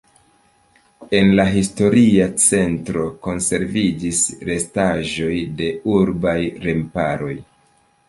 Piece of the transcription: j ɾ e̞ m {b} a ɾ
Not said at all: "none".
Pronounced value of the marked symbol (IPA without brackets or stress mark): p